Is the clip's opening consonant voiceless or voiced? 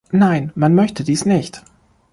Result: voiced